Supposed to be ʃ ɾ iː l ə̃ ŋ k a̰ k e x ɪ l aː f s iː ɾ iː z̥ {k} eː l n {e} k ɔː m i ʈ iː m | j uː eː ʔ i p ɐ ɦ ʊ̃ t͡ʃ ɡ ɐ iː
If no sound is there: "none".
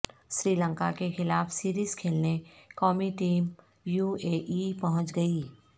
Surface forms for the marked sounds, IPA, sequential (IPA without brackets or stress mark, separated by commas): kʰ, e